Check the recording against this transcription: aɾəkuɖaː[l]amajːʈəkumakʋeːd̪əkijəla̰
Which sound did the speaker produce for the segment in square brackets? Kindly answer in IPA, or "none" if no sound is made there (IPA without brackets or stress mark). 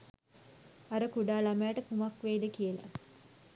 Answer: l